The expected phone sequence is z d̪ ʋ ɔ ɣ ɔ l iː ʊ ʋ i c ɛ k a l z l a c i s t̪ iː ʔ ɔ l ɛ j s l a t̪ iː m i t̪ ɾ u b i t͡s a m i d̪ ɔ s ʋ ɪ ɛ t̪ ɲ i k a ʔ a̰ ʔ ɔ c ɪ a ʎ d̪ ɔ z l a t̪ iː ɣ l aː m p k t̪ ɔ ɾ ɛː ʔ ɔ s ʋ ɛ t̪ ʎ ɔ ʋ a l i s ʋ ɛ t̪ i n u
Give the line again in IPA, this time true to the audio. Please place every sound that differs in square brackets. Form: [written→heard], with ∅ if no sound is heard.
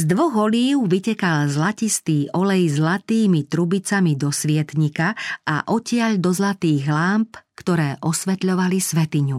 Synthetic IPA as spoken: z d̪ ʋ ɔ ɣ ɔ l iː ʊ ʋ i c ɛ k a l z l a c i s t̪ iː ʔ ɔ l ɛ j [s→z] l a t̪ iː m i t̪ ɾ u b i t͡s a m i d̪ ɔ s ʋ ɪ ɛ t̪ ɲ i k a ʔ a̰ ʔ ɔ c ɪ a ʎ d̪ ɔ z l a t̪ iː ɣ l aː m p k t̪ ɔ ɾ ɛː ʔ ɔ s ʋ ɛ t̪ ʎ ɔ ʋ a l i s ʋ ɛ t̪ i [n→ɲ] u